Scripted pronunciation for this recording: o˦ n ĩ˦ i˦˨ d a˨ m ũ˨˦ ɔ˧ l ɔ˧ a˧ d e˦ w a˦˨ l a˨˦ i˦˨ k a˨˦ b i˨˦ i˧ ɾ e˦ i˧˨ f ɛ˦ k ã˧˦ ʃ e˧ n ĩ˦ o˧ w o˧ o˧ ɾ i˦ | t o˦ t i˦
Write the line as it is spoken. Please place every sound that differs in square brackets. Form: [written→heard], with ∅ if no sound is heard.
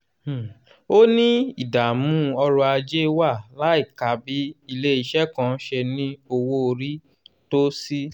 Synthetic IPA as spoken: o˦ n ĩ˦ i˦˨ d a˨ m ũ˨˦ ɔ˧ [l→ɾ] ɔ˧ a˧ [d→d͡ʒ] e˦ w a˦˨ l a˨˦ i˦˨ k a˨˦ b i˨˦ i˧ [ɾ→l] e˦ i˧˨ [f→ʃ] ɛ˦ k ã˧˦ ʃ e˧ n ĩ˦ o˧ w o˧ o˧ ɾ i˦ | t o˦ [t→s] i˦

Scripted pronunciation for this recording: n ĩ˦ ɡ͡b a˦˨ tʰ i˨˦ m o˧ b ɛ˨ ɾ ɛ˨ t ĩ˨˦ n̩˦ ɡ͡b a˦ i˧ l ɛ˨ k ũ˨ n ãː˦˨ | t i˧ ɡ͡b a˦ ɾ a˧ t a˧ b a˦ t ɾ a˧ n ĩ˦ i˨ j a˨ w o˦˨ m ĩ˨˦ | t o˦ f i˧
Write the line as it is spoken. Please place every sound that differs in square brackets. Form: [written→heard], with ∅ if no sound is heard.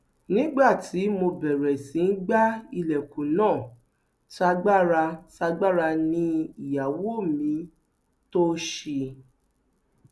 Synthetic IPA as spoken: n ĩ˦ ɡ͡b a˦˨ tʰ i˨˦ m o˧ b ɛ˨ ɾ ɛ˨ [t→s] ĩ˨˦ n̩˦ ɡ͡b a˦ i˧ l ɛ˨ k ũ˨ n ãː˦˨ | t [i˧→a˧] ɡ͡b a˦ ɾ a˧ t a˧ [b→ɡ͡b] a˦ [t→∅] ɾ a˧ n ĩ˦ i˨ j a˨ w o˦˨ m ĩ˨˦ | t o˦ [f→ʃ] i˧

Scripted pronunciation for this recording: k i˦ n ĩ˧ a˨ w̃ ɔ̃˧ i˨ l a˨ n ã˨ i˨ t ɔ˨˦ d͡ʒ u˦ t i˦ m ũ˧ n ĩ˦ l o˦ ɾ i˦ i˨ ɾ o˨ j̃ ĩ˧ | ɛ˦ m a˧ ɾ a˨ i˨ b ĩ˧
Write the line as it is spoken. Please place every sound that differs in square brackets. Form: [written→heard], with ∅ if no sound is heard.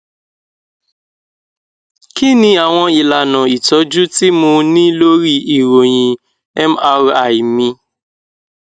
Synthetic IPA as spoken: k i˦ n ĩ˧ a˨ w̃ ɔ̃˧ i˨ l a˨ n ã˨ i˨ t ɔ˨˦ d͡ʒ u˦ t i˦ m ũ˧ n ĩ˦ l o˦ ɾ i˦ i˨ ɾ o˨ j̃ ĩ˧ | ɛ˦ m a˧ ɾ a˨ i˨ [b→m] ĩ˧

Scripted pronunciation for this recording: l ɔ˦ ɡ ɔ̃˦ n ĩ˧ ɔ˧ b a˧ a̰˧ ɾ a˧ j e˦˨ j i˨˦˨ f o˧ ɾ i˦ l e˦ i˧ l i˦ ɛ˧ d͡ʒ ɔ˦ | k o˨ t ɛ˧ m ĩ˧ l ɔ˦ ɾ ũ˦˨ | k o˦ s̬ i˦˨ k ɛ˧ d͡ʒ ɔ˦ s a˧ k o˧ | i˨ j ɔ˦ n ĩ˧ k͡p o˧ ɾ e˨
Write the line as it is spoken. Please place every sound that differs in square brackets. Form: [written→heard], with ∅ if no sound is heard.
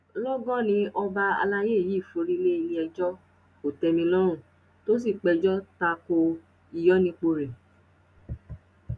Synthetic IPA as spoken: l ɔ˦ ɡ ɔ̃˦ n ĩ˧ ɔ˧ b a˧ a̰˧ [ɾ→l] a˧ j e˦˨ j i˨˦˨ f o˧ ɾ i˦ l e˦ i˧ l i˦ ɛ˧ d͡ʒ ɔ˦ | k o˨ t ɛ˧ m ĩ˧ l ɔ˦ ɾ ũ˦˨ | [k→t] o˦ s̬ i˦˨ [k→k͡p] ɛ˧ d͡ʒ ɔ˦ [s→t] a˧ k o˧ | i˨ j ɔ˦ n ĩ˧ k͡p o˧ ɾ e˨

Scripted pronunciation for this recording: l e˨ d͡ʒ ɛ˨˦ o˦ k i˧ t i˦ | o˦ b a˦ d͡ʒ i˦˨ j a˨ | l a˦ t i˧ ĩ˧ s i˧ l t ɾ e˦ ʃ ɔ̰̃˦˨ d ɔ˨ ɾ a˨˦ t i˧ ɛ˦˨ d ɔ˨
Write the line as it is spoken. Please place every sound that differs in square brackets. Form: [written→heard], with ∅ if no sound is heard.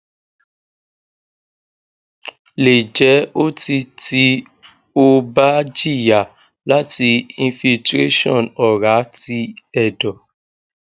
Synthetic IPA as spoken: l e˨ d͡ʒ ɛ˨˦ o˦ [k→t] i˧ t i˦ | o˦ b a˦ d͡ʒ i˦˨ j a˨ | l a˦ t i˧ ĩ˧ [s→f] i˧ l t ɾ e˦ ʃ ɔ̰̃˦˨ [d→n] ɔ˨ ɾ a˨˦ t i˧ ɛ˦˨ d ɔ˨

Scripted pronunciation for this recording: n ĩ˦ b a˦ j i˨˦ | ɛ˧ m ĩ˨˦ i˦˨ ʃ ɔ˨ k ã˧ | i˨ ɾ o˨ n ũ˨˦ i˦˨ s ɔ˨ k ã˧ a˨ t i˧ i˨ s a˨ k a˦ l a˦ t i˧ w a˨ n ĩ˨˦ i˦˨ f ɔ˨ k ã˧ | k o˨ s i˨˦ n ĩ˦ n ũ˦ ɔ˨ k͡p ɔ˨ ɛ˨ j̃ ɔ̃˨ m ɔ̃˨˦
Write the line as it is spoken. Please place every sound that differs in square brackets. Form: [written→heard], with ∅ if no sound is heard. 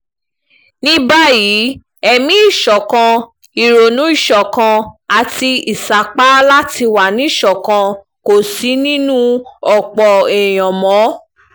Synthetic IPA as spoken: n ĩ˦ b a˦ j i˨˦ | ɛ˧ m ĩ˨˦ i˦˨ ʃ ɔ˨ k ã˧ | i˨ ɾ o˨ n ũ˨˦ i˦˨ [s→ʃ] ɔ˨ k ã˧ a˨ t i˧ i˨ s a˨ [k→k͡p] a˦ l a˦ t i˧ w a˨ n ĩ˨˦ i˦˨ [f→ʃ] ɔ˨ k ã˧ | k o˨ s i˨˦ n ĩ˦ n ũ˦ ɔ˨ k͡p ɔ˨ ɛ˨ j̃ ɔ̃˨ m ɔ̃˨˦

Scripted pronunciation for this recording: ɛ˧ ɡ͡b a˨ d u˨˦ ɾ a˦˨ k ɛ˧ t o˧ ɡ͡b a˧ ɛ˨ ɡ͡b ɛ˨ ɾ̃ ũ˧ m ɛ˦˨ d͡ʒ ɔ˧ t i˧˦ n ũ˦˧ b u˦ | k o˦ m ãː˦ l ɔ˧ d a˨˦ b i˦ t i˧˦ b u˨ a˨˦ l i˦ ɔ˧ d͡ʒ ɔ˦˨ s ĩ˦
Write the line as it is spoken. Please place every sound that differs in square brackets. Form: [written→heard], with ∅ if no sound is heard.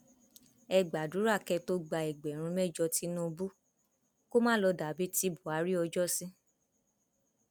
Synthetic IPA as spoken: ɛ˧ ɡ͡b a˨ d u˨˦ ɾ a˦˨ k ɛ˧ t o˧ ɡ͡b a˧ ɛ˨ ɡ͡b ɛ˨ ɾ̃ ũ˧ m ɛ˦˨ d͡ʒ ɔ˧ t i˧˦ n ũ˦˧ b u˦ | k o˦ m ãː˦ l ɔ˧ d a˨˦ b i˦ t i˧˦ b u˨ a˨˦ [l→ɾ] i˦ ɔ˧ d͡ʒ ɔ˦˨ s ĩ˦

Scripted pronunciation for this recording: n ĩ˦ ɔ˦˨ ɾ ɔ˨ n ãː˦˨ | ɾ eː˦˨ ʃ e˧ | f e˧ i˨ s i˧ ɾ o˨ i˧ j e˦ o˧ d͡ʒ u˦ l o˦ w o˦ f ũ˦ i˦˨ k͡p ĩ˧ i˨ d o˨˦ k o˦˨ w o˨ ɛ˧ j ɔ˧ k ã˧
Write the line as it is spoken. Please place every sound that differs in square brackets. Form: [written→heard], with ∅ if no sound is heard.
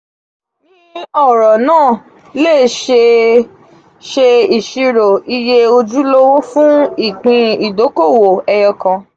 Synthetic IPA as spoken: n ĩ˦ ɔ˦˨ ɾ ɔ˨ n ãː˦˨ | [ɾ→l] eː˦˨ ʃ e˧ | [f→ʃ] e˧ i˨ [s→ʃ] i˧ ɾ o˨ i˧ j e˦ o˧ d͡ʒ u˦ l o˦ w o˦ f ũ˦ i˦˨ k͡p ĩ˧ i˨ d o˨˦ k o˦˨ w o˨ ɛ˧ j ɔ˧ k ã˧

